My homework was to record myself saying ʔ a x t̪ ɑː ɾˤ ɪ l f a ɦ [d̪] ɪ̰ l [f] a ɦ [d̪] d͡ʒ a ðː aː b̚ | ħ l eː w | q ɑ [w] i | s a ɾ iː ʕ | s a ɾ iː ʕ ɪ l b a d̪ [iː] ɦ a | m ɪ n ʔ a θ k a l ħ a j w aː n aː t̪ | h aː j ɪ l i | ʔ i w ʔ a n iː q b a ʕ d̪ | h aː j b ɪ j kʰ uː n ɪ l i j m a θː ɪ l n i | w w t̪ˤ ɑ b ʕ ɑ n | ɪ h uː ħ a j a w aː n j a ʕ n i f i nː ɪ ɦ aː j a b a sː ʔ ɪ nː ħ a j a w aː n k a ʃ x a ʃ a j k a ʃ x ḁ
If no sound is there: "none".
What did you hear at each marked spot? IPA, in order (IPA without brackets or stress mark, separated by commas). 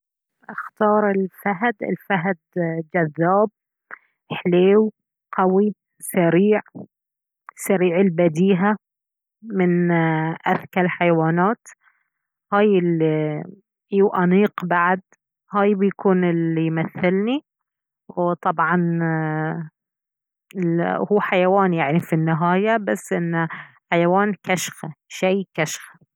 d̪, f, d̪, w, iː